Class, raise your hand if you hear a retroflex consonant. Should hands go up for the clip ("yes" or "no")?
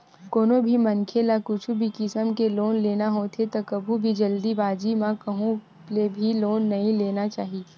no